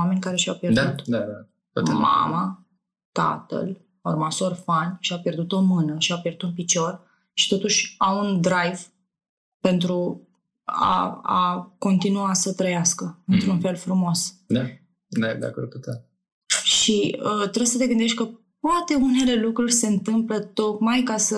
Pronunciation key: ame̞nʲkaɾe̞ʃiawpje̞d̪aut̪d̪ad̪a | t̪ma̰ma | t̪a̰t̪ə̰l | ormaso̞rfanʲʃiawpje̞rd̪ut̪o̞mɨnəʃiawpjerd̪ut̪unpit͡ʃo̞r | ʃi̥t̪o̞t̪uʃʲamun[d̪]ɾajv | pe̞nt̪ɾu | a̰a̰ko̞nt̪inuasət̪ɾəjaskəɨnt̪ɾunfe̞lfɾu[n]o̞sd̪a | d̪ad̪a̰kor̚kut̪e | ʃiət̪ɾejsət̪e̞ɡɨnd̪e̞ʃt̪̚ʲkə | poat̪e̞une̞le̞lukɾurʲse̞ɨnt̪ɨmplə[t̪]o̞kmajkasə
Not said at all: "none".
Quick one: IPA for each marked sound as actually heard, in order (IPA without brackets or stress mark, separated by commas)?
d̪, m, t̪